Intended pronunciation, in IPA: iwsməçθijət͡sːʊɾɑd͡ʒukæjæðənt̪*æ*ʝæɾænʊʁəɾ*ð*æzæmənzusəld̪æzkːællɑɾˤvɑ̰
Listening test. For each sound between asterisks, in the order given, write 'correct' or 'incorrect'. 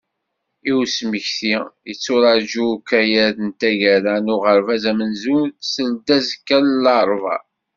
correct, incorrect

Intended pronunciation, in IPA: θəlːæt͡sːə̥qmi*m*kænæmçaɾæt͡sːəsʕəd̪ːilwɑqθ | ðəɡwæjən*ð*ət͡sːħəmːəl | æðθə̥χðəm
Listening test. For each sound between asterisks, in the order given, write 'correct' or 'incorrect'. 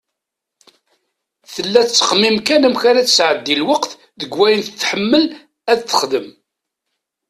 correct, incorrect

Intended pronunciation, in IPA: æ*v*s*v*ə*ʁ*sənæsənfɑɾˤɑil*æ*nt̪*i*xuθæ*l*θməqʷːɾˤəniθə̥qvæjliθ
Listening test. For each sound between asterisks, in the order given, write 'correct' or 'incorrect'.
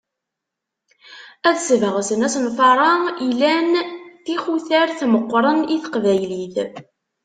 incorrect, correct, correct, correct, correct, incorrect

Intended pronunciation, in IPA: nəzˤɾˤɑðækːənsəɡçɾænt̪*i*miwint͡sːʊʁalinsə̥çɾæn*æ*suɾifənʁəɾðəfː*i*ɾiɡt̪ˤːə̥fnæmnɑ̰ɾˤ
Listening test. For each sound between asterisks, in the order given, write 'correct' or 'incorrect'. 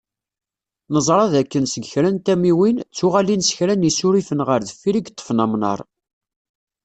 incorrect, incorrect, correct

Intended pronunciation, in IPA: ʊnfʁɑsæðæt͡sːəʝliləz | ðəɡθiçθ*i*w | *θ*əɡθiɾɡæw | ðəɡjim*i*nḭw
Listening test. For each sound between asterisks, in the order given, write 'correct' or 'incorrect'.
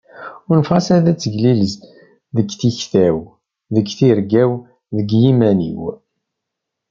incorrect, incorrect, incorrect

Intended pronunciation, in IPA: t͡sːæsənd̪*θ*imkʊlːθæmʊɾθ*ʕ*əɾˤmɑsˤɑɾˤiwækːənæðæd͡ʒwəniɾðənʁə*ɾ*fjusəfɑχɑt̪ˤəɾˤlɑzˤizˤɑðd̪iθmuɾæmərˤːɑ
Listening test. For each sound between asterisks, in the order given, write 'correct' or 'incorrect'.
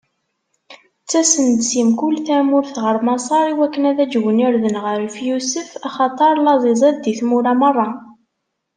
incorrect, incorrect, correct

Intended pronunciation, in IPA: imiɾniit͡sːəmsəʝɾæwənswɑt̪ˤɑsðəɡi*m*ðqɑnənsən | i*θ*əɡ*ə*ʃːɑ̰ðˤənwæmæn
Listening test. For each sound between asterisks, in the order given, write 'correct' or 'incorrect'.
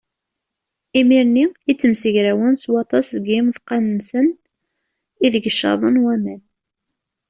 correct, incorrect, correct

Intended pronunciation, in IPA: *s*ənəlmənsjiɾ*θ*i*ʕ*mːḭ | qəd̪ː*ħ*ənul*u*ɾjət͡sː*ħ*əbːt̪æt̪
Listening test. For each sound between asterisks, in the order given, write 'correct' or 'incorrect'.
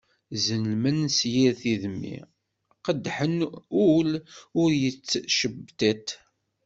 incorrect, correct, incorrect, correct, incorrect, incorrect

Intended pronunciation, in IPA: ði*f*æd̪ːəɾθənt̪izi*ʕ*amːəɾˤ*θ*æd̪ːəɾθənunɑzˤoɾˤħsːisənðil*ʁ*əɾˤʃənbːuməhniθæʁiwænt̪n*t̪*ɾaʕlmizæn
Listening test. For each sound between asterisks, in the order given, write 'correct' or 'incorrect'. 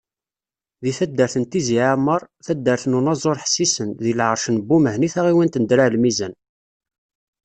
incorrect, correct, correct, incorrect, incorrect

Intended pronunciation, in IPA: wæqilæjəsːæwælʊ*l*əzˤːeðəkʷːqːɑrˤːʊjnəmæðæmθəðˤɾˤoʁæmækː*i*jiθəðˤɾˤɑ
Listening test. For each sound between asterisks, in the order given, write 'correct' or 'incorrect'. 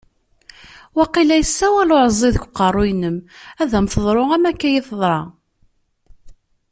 incorrect, incorrect

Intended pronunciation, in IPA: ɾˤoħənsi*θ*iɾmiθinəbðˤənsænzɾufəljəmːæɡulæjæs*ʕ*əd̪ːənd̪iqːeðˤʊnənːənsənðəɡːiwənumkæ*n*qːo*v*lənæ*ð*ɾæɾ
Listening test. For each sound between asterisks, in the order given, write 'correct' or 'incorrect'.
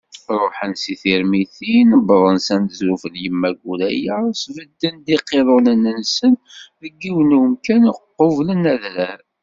correct, incorrect, correct, correct, correct

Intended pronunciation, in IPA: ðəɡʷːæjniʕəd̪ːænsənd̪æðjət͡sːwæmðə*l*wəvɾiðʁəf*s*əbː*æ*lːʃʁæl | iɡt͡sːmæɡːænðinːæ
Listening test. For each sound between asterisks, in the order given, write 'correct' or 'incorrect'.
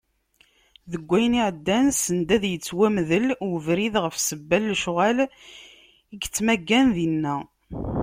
correct, correct, correct

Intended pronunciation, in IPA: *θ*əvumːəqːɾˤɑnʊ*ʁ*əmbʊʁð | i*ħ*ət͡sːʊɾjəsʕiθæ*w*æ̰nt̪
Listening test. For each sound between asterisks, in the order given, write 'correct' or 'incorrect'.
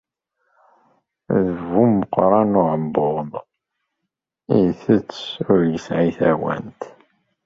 incorrect, incorrect, incorrect, correct

